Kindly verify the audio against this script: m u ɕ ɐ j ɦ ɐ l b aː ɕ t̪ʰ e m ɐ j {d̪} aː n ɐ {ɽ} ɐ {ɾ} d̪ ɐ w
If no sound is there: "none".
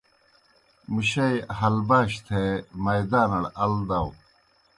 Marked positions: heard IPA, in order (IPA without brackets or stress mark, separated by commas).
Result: d̪, ɽ, l